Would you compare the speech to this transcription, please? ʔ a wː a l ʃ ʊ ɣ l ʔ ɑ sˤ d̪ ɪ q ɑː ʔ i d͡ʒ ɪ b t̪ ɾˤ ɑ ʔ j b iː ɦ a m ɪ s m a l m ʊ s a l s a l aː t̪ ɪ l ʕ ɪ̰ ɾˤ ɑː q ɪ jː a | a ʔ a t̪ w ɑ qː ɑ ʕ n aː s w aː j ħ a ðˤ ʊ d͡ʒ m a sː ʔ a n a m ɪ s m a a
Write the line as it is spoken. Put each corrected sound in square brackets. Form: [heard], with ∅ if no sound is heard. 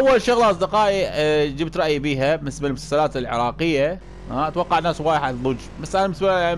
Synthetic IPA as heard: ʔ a wː a l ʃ ʊ ɣ l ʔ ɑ sˤ d̪ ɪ q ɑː ʔ i d͡ʒ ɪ b t̪ ɾˤ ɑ ʔ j b iː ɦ a m ɪ s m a l m ʊ s a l s a l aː t̪ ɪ l ʕ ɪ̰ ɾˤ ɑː q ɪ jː a | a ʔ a t̪ w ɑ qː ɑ ʕ n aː s w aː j ħ a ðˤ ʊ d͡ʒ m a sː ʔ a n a m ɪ s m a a

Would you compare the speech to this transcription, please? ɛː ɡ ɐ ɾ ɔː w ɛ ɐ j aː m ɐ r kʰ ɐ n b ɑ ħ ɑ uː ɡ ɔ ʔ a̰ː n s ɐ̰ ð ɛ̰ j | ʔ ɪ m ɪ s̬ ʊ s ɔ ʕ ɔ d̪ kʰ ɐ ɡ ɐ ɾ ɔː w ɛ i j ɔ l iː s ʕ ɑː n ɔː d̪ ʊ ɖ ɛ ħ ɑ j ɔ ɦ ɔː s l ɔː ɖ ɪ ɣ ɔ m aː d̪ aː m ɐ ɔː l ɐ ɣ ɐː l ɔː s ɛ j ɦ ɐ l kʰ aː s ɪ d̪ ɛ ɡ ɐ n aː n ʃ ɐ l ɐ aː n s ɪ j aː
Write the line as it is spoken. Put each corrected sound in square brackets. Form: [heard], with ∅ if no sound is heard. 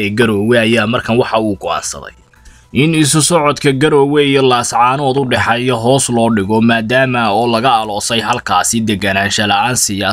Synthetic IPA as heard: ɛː ɡ ɐ ɾ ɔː w ɛ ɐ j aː m ɐ r kʰ ɐ n [w] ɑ ħ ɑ uː ɡ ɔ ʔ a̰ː n s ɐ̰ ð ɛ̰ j | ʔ ɪ [n] ɪ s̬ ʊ s ɔ ʕ ɔ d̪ kʰ ɐ ɡ ɐ ɾ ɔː w ɛ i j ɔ l [aː] s ʕ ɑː n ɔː d̪ ʊ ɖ ɛ ħ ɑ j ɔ ɦ ɔː s l ɔː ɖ ɪ ɣ ɔ m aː d̪ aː m ɐ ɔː l ɐ ɣ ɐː l ɔː s ɛ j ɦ ɐ l kʰ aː s ɪ d̪ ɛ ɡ ɐ n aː n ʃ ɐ l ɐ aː n s ɪ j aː

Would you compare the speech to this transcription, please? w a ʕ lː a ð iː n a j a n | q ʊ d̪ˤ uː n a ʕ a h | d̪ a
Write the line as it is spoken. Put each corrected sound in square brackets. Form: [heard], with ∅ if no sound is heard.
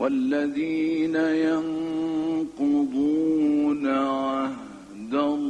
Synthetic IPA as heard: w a [∅] lː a ð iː n a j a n | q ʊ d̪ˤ uː n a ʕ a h | d̪ a

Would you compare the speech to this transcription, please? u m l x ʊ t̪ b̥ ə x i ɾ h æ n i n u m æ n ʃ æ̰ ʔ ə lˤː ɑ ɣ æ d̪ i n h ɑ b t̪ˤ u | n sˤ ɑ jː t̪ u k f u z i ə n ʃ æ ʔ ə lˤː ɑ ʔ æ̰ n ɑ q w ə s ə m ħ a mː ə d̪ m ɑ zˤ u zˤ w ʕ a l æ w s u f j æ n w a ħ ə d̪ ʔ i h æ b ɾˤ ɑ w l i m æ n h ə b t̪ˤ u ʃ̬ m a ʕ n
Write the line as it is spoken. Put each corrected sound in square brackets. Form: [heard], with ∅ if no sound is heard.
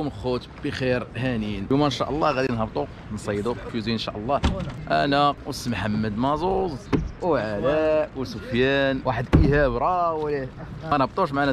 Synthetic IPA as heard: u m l x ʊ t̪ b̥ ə x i ɾ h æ n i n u m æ n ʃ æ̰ ʔ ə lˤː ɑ ɣ æ d̪ i n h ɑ b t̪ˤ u | n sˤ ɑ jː [d̪] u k f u z i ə n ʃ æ ʔ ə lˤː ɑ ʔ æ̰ n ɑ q w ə s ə m ħ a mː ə d̪ m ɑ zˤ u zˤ w ʕ a l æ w s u f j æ n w a ħ ə d̪ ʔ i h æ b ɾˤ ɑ w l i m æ n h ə b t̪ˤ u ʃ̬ m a ʕ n

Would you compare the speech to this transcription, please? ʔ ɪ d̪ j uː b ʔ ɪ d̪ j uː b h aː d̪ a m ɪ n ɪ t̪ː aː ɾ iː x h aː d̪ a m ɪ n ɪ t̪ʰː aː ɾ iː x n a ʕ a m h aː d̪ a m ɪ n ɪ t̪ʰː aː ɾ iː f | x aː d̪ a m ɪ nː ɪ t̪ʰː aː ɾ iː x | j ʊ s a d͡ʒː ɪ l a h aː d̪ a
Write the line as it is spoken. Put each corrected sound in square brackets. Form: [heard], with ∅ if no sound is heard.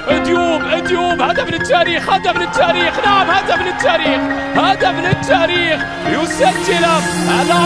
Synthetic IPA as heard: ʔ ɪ d̪ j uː b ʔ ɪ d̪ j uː b h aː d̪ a m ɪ n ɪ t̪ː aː ɾ iː x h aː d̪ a m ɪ n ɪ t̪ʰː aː ɾ iː x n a ʕ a m h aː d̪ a m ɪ n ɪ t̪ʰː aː ɾ iː [x] | [h] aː d̪ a m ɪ [n] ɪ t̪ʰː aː ɾ iː x | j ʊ s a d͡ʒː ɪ l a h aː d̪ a

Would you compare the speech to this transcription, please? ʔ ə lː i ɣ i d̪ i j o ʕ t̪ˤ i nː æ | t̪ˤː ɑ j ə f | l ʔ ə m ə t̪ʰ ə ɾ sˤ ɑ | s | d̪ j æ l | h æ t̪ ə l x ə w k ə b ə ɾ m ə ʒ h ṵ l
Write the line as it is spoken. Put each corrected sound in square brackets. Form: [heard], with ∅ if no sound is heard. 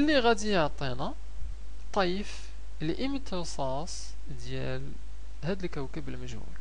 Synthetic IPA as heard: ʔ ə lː i ɣ [æ] d̪ i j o ʕ t̪ˤ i [n] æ | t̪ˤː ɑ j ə f | l ʔ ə m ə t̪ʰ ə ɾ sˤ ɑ | s | d̪ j æ l | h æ [d̪] ə l [k] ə w k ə b ə [l] m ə ʒ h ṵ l

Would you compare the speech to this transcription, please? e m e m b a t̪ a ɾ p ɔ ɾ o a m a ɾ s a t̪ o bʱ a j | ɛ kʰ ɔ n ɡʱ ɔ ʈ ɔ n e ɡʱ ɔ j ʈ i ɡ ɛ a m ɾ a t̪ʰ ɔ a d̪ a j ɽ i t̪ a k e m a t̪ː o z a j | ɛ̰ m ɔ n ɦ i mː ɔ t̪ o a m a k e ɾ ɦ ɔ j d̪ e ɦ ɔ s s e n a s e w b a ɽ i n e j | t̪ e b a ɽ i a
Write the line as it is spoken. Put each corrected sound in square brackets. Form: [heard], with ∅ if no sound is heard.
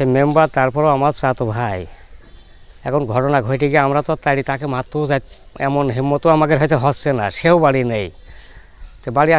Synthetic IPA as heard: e m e m b a t̪ a ɾ p ɔ ɾ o a m a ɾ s a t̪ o bʱ a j | ɛ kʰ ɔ n ɡʱ ɔ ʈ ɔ n [a] ɡʱ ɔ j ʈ i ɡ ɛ a m ɾ a [t̪] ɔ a [t̪] a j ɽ i t̪ a k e m a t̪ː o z a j | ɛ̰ m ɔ n ɦ i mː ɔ t̪ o a m a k e ɾ ɦ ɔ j [t̪] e ɦ ɔ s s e n a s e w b a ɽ i n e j | t̪ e b a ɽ i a

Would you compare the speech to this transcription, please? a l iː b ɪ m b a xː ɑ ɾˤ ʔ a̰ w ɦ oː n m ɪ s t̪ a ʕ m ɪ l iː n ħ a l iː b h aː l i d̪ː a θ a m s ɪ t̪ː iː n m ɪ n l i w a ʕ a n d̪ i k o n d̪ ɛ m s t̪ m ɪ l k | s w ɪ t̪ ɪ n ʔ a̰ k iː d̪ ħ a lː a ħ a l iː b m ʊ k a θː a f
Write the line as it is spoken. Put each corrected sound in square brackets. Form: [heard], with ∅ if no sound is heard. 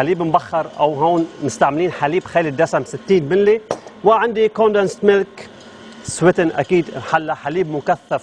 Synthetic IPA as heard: a l iː b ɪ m b a xː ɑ ɾˤ ʔ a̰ w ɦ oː n m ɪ s t̪ a ʕ m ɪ l iː n ħ a l iː b [x] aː l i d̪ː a [s] a m s ɪ t̪ː iː n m ɪ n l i w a ʕ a n d̪ i k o n d̪ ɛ [n] s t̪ m ɪ l k | s w ɪ t̪ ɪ n ʔ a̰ k iː d̪ ħ a lː a ħ a l iː b m ʊ k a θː a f

